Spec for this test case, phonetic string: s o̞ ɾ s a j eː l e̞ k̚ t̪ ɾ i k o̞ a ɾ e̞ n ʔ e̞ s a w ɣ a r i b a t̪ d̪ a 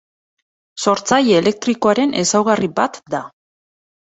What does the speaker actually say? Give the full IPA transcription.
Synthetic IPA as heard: s o̞ ɾ t͡s a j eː l e̞ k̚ t̪ ɾ i k o̞ a ɾ e̞ n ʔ e̞ s a w ɣ a r i b a t̪ d̪ a